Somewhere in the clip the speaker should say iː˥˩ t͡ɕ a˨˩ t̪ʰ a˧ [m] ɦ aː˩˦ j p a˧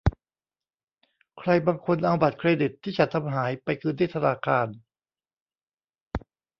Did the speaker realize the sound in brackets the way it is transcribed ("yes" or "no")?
yes